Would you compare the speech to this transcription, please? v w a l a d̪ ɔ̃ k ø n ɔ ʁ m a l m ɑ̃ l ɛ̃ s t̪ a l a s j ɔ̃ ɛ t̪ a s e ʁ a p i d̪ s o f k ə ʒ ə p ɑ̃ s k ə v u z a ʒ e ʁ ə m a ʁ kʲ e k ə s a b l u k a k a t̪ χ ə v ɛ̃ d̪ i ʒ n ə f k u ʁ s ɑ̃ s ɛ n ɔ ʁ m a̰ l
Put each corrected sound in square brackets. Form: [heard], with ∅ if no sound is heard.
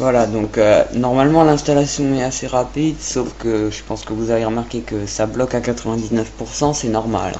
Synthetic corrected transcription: v w a l a d̪ ɔ̃ k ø n ɔ ʁ m a l m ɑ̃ l ɛ̃ s t̪ a l a s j ɔ̃ ɛ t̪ a s e ʁ a p i d̪ s o f k ə ʒ ə p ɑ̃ s k ə v u z a [v] e ʁ ə m a ʁ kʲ e k ə s a b l [ɔ] k a k a t̪ χ ə v ɛ̃ d̪ i [z] n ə f [p] u ʁ s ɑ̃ s ɛ n ɔ ʁ m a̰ l